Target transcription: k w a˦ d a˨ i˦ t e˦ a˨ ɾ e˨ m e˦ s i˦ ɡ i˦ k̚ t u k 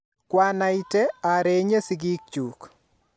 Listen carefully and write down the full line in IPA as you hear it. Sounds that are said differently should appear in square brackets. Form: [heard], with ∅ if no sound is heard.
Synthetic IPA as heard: k w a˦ [n] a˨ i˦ t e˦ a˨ ɾ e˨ [ɲ] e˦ s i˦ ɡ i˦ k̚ [t͡ʃ] u k